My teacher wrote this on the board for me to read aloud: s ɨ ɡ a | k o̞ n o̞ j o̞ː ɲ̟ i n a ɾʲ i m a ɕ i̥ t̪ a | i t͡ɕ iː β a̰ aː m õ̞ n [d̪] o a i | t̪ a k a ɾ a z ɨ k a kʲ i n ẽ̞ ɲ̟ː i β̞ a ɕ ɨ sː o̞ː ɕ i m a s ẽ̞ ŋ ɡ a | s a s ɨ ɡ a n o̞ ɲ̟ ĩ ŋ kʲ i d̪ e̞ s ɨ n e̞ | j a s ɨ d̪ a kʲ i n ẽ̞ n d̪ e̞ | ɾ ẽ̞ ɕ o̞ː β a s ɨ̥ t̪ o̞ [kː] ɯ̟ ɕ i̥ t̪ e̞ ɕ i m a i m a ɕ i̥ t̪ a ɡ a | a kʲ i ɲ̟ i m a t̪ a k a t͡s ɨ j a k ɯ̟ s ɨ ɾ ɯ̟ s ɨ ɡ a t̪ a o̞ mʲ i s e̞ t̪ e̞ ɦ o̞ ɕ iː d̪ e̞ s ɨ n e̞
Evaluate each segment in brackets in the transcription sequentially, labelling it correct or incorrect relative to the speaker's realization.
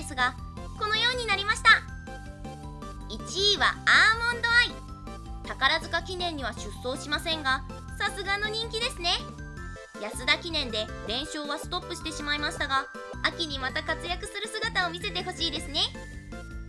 correct, incorrect: pː

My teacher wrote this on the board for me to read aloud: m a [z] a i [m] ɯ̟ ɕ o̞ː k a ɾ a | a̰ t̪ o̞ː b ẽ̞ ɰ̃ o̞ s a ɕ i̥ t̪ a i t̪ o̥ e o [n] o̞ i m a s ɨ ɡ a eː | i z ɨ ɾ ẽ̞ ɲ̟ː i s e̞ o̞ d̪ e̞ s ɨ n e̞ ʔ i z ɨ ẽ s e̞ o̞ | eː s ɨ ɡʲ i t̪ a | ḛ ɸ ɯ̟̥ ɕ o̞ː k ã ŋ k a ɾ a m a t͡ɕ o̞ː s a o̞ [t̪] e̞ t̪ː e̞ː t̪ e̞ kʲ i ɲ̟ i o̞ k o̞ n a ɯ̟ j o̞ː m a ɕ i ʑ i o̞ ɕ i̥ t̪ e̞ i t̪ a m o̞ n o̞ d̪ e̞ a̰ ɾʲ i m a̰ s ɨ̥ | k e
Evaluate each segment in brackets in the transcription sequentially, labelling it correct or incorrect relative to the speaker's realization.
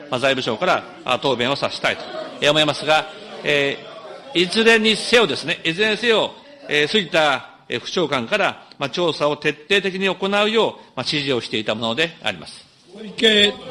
correct, incorrect: b, incorrect: m, correct

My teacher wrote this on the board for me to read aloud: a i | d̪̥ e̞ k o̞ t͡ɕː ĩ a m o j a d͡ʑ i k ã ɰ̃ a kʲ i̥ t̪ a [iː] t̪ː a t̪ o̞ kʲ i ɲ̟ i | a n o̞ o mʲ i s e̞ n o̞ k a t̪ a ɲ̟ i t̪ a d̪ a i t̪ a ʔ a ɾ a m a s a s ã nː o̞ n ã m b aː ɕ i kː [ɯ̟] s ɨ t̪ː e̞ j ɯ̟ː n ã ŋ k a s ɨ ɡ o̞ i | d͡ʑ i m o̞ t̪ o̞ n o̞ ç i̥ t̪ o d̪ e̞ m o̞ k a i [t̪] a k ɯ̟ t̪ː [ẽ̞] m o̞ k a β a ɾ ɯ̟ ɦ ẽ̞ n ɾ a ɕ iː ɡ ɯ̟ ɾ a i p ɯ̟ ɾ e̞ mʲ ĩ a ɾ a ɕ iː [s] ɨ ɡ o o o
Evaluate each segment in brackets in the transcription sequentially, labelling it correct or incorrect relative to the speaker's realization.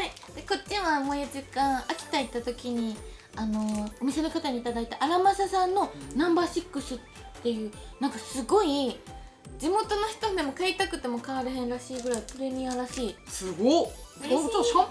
incorrect: i, correct, correct, incorrect: e̞, correct

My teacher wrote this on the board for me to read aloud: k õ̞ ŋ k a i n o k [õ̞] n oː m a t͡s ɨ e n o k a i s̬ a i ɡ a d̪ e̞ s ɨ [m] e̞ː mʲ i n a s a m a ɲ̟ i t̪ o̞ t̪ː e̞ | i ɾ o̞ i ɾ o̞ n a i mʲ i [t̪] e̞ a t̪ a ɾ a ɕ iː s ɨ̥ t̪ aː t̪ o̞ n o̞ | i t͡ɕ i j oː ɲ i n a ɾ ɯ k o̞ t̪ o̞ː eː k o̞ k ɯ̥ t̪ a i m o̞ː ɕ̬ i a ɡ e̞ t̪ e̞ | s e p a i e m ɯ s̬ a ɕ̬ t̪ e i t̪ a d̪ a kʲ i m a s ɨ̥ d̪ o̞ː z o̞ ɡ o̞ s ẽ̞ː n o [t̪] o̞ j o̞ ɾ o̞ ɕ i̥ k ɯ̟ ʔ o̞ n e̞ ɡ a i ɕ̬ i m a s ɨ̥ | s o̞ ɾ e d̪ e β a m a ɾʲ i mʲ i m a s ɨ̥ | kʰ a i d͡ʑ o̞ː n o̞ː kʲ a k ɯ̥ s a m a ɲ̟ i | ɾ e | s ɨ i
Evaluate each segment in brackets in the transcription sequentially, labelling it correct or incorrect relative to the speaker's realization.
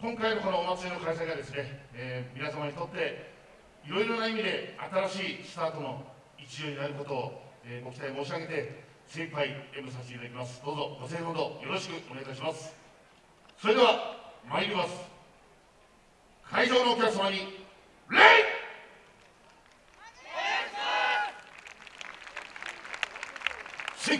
incorrect: o̞, incorrect: n, incorrect: d̪, incorrect: d̪

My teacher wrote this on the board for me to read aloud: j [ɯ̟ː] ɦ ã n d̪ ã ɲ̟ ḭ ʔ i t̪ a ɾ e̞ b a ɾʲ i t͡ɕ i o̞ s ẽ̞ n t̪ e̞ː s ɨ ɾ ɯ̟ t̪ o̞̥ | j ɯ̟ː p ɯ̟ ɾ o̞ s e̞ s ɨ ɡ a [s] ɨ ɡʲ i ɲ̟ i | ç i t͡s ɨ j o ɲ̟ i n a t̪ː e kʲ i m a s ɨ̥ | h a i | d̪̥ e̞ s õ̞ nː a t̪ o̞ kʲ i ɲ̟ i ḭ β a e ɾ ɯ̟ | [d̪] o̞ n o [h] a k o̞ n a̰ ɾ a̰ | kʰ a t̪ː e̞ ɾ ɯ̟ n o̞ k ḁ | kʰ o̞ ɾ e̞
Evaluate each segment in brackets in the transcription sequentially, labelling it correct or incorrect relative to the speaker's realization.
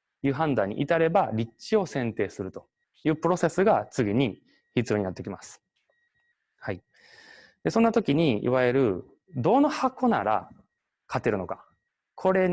correct, incorrect: t͡s, correct, correct

